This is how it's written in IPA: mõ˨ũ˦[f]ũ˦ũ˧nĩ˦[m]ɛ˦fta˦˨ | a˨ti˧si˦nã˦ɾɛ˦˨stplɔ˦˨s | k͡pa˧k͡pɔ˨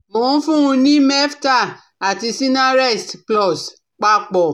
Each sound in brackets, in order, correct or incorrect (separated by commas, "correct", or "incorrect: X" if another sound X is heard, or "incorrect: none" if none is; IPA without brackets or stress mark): correct, correct